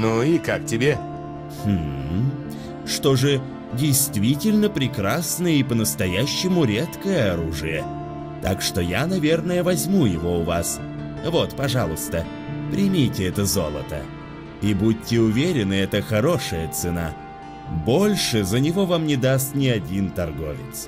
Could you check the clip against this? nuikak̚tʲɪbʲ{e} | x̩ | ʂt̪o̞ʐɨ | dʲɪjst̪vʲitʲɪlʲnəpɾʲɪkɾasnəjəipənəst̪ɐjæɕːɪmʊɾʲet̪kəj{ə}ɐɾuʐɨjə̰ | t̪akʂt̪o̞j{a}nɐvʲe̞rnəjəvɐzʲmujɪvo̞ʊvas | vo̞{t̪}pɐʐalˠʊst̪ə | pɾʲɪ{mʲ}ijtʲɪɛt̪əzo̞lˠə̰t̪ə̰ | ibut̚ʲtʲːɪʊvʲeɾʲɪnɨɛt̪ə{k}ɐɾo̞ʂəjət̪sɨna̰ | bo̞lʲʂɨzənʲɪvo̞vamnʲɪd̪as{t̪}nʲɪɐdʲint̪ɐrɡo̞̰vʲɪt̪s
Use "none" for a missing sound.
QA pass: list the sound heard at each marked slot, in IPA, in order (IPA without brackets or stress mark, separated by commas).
e, ə, a, t̪, mʲ, x, t̪